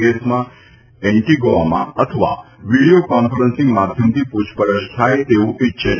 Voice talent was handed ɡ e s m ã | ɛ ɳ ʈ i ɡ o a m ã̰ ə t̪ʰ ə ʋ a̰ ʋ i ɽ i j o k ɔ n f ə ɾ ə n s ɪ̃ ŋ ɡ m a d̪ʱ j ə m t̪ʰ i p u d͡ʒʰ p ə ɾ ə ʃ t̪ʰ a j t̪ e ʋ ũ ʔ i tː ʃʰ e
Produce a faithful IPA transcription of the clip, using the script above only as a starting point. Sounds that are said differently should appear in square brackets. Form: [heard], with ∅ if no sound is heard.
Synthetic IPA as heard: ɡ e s m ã | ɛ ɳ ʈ i ɡ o a m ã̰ ə t̪ʰ ə ʋ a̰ ʋ i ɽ i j o k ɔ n f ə ɾ ə n s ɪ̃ ŋ ɡ m a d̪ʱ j ə m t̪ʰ i p u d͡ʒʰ p ə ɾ ə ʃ t̪ʰ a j t̪ e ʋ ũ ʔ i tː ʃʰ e